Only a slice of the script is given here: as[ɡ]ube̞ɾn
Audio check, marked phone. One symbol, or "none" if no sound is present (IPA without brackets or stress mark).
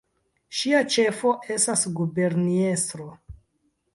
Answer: ɡ